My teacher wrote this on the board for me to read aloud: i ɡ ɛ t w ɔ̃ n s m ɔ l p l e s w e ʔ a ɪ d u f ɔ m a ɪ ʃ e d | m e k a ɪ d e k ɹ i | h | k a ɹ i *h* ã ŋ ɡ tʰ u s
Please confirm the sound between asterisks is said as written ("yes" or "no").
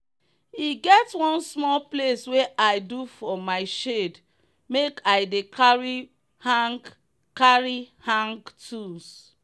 yes